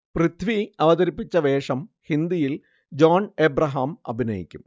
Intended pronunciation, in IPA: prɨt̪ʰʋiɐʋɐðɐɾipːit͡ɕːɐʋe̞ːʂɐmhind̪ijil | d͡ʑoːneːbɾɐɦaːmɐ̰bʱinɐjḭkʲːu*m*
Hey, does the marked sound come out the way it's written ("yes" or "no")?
yes